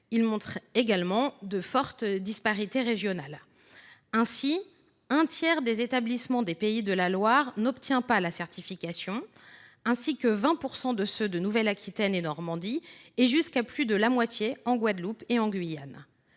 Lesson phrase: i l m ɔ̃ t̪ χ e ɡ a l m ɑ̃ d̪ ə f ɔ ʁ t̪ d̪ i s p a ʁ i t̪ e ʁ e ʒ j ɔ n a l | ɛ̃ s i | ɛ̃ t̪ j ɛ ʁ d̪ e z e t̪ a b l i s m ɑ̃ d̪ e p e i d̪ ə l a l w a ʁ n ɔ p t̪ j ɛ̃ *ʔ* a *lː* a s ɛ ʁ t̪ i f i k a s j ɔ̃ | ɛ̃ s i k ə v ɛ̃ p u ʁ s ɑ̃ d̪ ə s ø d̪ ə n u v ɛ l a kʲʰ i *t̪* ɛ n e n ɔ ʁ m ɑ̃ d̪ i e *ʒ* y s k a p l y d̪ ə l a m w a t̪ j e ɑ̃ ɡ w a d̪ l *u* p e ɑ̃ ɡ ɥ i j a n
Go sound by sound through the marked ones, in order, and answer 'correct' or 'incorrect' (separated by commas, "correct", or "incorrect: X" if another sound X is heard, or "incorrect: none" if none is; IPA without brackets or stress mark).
incorrect: p, incorrect: l, correct, correct, correct